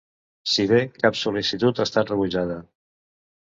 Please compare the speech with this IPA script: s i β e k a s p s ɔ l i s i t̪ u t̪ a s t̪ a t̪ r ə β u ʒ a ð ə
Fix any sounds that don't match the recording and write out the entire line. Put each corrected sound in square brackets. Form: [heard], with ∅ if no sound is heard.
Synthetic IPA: s i β e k a [∅] p s [u] l i s i t̪ u t̪ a s t̪ a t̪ r ə β u ʒ a ð ə